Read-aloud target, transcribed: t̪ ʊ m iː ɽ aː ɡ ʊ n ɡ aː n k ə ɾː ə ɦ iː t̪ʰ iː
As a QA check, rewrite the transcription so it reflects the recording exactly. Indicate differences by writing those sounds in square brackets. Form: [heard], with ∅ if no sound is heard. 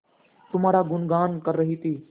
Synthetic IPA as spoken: t̪ ʊ m [aː] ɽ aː ɡ ʊ n ɡ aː n k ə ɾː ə ɦ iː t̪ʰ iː